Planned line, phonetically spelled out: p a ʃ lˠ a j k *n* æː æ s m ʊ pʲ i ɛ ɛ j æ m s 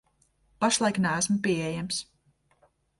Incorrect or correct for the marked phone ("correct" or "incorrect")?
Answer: correct